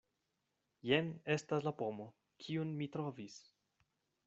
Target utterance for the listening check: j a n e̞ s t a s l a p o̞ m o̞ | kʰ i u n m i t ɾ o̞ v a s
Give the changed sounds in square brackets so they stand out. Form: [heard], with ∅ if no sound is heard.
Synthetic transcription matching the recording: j [e] n e̞ s t a s l a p o̞ m o̞ | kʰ i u n m i t ɾ o̞ v [i] s

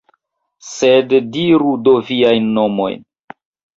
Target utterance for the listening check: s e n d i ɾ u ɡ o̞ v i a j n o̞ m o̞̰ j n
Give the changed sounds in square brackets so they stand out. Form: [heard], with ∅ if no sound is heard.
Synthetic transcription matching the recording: s e [d] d i ɾ u [d] o̞ v i a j [nː] o̞ m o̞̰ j n

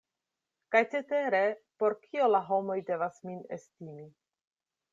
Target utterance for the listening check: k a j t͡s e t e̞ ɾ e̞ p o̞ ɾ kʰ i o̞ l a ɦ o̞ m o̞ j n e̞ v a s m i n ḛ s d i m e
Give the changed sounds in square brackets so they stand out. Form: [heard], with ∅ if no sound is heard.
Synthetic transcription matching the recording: k a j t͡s e t e̞ ɾ e̞ p o̞ ɾ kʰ i o̞ l a ɦ o̞ m o̞ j [d] e̞ v a s m i n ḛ s [t] i m [i]

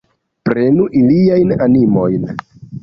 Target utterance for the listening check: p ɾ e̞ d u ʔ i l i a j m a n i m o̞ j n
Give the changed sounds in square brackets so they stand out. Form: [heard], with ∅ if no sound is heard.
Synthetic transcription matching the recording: p ɾ e̞ [n] u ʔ i l i a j [n] a n i m o̞ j n

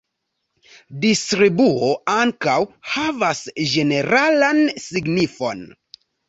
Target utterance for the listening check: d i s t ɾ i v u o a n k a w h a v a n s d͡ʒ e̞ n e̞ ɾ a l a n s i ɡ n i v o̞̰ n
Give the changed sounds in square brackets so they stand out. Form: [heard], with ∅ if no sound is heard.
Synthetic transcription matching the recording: d i s t ɾ i [b] u o a [ŋ] k a w h a v a [∅] s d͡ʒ e̞ n e̞ ɾ a l a n s i ɡ n i [f] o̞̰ n

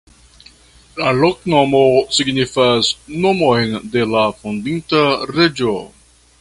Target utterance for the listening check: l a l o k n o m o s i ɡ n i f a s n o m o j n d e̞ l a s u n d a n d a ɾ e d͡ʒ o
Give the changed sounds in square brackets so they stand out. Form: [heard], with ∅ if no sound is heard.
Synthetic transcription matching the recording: l a l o k n o m o s i ɡ n i f a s n o m o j n d e̞ l a [f] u n d [i] n [t] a ɾ e d͡ʒ o

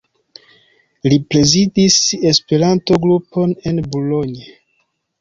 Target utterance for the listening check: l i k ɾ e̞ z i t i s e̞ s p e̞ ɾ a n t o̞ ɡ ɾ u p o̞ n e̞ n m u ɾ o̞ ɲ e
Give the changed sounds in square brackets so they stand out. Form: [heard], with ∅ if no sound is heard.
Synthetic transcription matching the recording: l i [p] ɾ e̞ z i [d] i s e̞ s p e̞ ɾ a n t o̞ ɡ ɾ u p o̞ n e̞ n [b] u [l] o̞ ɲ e

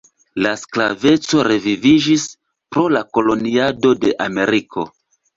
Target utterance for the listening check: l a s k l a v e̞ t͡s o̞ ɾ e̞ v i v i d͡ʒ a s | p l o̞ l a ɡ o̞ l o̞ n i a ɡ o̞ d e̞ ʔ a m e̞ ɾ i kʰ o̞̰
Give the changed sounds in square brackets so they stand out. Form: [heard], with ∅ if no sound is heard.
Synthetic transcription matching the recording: l a s k l a v e̞ t͡s o̞ ɾ e̞ v i v i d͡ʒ [i] s | p [ɾ] o̞ l a [k] o̞ l o̞ n i a [d] o̞ d e̞ ʔ a m e̞ ɾ i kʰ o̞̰

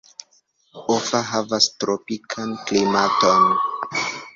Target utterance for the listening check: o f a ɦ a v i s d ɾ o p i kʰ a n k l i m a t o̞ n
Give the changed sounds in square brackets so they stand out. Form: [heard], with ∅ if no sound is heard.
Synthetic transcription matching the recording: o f a ɦ a v [a] s [t] ɾ o p i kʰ a n k l i m a t o̞ n

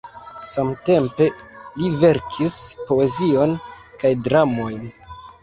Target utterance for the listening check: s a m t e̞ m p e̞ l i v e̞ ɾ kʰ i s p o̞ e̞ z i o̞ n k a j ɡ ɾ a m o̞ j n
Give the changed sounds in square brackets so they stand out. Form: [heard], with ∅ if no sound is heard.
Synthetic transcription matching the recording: s a m t e̞ m p e̞ l i v e̞ ɾ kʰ i s p o̞ e̞ z i o̞ n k a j [d] ɾ a m o̞ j n

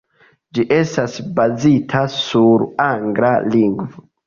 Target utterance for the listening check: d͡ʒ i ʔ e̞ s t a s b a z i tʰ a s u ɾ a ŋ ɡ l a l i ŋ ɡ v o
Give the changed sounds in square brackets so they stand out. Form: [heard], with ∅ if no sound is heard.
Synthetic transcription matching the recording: d͡ʒ i ʔ e̞ s t a s b a z i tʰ a s u ɾ a ŋ ɡ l a l i ŋ ɡ v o

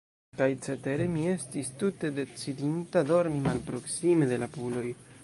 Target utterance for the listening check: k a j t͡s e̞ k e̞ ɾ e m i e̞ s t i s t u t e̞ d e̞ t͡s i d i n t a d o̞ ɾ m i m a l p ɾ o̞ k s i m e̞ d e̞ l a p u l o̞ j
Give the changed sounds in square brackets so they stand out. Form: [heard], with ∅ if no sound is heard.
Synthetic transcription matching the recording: k a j t͡s e̞ [t] e̞ ɾ e m i e̞ s t i s t u t e̞ d e̞ t͡s i d i n t a d o̞ ɾ m i m a l p ɾ o̞ k s i m e̞ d e̞ l a p u l o̞ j

